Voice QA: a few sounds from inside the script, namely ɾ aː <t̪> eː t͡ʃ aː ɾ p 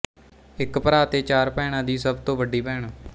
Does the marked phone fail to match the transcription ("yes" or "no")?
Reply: no